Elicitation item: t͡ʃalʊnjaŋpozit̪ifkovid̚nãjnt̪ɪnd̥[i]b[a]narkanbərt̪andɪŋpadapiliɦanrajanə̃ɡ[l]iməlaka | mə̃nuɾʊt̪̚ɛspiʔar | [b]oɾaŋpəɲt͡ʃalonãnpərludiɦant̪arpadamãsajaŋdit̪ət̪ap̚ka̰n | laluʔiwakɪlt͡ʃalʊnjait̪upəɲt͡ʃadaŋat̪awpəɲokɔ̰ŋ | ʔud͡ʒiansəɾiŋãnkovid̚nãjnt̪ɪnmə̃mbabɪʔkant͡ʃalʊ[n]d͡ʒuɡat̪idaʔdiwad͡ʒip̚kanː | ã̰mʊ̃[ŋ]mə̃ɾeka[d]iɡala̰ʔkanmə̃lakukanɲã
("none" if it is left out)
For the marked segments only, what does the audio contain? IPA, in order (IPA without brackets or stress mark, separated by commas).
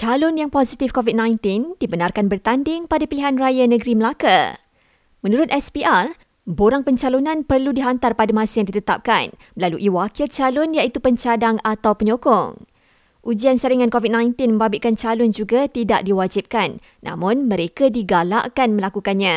i, ə, ɾ, b, n, n, d